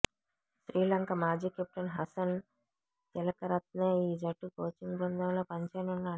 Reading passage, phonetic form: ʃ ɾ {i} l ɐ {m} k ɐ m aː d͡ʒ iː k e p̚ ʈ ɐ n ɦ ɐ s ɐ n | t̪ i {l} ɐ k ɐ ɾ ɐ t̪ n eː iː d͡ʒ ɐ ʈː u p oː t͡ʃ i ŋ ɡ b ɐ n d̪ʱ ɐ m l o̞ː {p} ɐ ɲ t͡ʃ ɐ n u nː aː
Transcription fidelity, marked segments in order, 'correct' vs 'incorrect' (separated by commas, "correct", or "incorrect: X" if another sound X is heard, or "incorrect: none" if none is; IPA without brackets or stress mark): incorrect: iː, incorrect: ŋ, correct, correct